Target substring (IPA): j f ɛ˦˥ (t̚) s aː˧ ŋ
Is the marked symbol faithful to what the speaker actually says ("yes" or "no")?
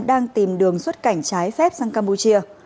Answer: no